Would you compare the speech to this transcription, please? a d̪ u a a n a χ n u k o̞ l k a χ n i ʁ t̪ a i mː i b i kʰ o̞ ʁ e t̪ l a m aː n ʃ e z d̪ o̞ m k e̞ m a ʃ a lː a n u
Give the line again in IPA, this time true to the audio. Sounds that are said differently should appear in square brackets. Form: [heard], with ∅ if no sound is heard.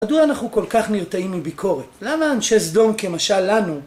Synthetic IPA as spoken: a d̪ u a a n a χ n u k o̞ l k a χ n i ʁ t̪ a i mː i b i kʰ o̞ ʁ e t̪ l a m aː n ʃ e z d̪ o̞ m k e̞ m a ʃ a lː a n u